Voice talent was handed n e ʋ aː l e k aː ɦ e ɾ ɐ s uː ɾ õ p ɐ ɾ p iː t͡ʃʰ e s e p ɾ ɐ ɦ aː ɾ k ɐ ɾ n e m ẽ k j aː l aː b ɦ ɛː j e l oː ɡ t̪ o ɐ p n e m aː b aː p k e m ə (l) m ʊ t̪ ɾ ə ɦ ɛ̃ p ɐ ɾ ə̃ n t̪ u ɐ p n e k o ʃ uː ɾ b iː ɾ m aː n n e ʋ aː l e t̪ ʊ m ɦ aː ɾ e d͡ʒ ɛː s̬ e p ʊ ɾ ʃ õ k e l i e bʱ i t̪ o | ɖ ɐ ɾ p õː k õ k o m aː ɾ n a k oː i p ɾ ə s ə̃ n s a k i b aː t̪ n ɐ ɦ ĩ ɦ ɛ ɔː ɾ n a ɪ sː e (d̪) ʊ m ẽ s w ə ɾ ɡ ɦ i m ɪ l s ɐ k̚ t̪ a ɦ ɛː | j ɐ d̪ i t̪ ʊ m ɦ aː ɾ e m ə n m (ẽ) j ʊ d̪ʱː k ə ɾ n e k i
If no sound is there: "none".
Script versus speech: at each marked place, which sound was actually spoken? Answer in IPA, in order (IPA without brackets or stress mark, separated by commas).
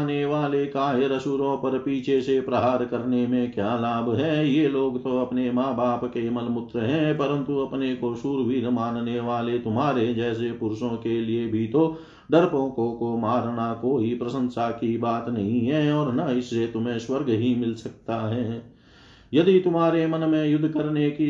l, t̪, ẽ